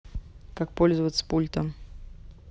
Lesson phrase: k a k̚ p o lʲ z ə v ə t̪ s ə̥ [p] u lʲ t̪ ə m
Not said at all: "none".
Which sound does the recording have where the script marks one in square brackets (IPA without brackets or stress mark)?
p